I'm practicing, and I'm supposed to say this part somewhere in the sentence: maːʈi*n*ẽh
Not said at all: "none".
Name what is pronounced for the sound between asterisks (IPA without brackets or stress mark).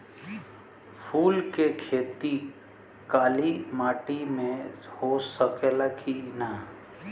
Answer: m